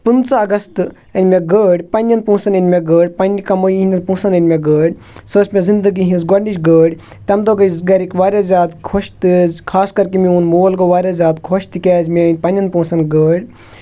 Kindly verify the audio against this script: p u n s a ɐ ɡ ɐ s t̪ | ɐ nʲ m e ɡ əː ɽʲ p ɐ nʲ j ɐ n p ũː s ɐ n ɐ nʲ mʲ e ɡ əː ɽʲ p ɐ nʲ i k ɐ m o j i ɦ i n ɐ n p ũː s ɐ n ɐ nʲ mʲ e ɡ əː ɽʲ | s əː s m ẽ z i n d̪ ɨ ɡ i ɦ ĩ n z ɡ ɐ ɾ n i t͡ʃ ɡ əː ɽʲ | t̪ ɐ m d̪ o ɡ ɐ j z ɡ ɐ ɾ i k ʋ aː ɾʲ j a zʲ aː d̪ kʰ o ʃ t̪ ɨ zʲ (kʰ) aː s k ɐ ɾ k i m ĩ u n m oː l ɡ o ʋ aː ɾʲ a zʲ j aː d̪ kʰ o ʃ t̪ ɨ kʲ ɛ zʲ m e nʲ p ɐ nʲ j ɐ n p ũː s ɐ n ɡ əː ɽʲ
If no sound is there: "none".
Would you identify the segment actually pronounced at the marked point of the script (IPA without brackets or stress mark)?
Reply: kʰ